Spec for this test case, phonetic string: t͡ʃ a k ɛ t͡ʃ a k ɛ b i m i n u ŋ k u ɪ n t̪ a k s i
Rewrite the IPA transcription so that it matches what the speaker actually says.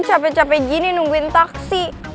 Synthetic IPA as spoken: t͡ʃ a p ɛ t͡ʃ a p ɛ ɡ i n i n u ŋ ɡ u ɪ n t̪ a k s i